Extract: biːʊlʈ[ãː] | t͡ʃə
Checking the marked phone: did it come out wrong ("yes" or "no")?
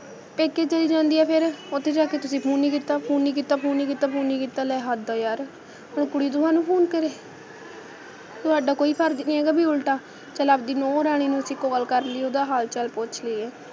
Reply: yes